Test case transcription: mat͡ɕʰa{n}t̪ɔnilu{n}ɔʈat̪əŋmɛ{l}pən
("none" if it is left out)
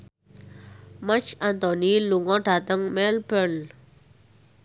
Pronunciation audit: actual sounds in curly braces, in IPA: n, ŋ, l

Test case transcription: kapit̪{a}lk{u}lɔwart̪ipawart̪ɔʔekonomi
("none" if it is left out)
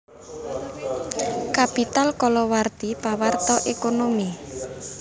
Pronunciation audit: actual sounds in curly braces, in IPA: a, ɔ

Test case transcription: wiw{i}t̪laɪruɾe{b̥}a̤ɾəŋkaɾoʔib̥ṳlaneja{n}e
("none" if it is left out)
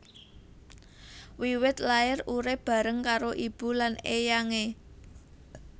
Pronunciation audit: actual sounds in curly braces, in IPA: ɪ, b̥, ŋ

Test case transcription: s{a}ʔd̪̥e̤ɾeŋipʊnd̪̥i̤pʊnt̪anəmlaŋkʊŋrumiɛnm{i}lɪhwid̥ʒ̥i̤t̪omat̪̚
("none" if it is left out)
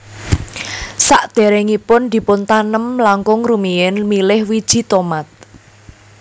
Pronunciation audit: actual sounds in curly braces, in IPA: a, i

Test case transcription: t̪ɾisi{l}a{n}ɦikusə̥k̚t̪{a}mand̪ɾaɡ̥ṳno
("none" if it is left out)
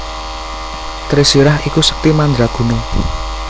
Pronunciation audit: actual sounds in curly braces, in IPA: ɾ, none, i

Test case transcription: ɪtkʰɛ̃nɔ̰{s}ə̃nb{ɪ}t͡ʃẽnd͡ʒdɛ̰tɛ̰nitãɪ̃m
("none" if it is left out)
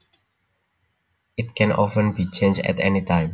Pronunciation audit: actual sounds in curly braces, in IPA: f, i

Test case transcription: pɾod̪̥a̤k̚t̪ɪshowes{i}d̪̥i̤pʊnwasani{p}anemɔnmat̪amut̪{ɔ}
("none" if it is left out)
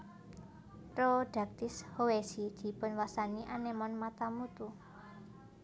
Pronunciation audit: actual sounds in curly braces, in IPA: i, ʔ, u

